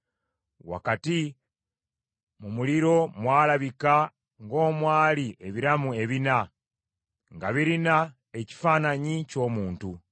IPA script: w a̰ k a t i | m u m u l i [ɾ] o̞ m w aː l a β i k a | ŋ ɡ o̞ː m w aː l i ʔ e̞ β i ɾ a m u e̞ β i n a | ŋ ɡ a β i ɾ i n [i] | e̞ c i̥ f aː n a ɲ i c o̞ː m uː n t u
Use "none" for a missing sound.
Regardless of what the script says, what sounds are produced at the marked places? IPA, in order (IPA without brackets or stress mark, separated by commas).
ɾ, a